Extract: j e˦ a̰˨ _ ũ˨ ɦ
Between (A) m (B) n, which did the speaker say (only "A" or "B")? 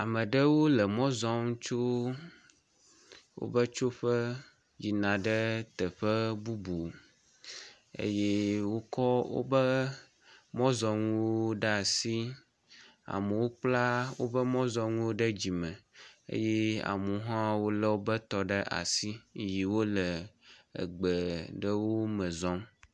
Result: A